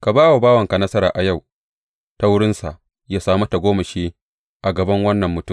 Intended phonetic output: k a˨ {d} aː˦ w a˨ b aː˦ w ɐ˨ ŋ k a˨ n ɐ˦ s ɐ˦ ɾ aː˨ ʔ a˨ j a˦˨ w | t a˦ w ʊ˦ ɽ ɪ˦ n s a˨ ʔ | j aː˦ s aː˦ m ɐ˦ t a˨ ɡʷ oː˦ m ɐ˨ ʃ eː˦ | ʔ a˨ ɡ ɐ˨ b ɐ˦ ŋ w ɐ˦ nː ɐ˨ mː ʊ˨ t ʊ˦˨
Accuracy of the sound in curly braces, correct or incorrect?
incorrect: b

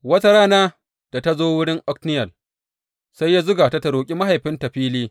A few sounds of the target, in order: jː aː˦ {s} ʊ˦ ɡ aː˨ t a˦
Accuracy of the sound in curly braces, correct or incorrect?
incorrect: z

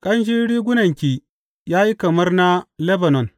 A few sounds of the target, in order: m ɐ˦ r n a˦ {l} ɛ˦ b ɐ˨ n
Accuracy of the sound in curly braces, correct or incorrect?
correct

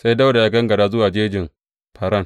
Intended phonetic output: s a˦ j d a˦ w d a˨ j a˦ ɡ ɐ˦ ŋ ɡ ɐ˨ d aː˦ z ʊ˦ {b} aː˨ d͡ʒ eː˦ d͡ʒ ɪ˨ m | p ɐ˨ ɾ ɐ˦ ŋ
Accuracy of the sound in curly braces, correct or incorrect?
incorrect: w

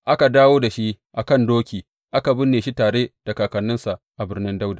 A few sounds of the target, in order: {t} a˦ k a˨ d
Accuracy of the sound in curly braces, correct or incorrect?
incorrect: ʔ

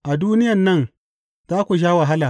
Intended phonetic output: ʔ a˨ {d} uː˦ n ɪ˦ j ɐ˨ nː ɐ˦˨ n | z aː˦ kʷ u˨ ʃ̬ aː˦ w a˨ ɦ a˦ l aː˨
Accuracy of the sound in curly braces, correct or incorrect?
correct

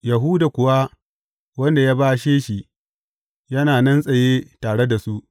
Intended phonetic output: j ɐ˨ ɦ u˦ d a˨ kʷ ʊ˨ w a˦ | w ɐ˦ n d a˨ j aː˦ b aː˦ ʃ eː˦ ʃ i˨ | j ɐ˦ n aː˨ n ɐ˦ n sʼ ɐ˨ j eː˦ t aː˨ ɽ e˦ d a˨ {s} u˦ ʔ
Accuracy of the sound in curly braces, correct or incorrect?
correct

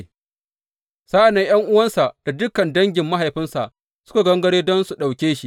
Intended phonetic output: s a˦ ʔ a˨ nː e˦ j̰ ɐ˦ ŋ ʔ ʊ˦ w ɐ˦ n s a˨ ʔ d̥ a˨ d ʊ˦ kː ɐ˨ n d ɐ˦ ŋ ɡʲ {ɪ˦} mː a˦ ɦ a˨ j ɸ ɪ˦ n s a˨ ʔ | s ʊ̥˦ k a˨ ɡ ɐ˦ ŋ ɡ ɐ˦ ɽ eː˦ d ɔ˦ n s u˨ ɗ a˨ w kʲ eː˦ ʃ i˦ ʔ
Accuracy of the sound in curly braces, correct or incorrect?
incorrect: ɪ˨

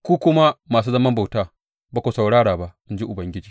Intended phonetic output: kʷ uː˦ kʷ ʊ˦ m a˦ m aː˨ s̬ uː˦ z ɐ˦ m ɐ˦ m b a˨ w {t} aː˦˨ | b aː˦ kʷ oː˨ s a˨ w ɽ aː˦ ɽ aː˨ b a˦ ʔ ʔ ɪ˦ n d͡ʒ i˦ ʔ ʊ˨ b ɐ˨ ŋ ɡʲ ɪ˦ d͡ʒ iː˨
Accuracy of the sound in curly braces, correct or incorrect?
correct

